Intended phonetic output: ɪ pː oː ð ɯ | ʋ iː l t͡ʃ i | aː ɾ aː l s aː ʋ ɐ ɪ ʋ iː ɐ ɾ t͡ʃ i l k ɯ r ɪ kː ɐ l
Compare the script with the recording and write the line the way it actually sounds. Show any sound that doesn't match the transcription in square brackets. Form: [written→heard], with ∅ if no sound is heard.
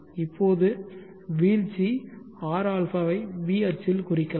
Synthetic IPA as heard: ɪ pː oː ð ɯ | ʋ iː l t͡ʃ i | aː ɾ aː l [s→f] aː ʋ ɐ ɪ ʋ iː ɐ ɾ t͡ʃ [i→ɪ] l k [ɯ→ʊ] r ɪ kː ɐ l